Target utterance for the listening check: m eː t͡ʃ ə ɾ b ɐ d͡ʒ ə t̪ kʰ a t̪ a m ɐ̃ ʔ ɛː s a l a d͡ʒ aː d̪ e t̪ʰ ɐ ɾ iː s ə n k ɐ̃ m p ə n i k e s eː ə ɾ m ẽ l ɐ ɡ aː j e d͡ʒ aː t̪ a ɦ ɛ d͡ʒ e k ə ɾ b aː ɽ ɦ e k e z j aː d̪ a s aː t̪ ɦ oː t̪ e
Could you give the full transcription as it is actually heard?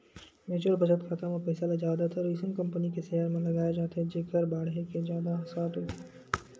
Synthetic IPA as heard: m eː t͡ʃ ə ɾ b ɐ d͡ʒ ə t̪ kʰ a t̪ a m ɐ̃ p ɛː s a l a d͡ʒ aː d̪ a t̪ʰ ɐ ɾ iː s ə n k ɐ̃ m p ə n i k e s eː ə ɾ m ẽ l ɐ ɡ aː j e d͡ʒ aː t̪ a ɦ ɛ d͡ʒ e k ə ɾ b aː ɽ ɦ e k e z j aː d̪ a s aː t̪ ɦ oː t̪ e